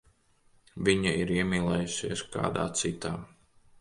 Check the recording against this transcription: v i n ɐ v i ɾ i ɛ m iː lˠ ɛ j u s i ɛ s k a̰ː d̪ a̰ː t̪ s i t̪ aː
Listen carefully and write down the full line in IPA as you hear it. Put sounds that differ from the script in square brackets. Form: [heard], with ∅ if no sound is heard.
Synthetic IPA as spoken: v i [ɲ] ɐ [∅] i ɾ i ɛ m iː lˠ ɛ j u s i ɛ s k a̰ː d̪ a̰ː t̪ s i t̪ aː